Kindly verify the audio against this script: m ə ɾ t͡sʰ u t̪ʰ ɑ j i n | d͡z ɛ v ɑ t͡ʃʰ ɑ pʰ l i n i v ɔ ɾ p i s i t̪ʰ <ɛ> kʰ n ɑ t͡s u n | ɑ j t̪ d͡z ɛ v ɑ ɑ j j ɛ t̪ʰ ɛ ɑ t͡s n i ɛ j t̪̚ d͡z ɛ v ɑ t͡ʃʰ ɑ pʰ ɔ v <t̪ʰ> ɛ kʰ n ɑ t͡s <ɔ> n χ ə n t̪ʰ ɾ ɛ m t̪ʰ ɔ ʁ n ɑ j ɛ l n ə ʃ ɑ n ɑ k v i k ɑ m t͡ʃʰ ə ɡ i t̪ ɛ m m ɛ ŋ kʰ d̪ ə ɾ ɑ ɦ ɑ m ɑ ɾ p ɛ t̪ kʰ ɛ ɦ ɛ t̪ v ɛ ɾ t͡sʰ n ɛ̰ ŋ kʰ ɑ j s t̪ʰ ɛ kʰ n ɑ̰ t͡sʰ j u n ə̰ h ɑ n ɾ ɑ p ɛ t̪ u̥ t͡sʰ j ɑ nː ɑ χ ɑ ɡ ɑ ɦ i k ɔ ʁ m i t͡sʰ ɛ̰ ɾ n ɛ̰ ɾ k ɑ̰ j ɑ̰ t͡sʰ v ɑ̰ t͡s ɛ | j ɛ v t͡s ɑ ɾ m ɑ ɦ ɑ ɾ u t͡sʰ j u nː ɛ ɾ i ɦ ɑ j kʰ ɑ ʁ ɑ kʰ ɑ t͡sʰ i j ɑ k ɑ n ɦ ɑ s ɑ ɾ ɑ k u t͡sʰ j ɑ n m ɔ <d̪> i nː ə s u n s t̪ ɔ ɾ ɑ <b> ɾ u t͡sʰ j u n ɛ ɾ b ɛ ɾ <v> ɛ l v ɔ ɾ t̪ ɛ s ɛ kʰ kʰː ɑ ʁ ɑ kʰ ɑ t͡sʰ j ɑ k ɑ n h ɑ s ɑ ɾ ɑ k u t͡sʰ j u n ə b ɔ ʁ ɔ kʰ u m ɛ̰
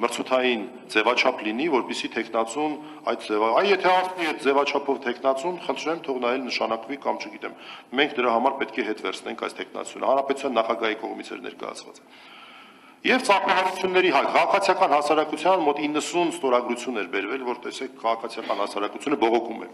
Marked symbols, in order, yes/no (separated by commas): yes, yes, no, no, no, yes